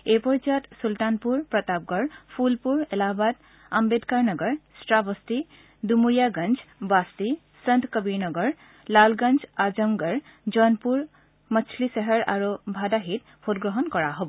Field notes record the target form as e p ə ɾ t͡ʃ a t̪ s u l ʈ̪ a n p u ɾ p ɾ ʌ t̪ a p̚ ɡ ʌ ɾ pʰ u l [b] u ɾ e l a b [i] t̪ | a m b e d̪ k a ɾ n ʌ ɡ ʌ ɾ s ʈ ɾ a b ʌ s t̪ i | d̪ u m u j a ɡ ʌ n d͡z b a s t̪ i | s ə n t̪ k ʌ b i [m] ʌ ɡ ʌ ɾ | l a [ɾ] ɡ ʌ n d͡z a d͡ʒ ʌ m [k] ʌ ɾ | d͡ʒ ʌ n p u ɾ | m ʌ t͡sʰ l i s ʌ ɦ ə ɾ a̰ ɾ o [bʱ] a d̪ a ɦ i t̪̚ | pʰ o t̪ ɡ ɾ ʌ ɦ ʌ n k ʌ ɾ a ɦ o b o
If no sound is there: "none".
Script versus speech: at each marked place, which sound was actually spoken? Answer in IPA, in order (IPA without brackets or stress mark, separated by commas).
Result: p, a, n, l, ɡ, bʱ